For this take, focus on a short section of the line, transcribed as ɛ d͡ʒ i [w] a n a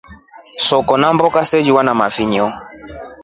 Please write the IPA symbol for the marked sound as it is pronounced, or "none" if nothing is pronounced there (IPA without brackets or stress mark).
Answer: w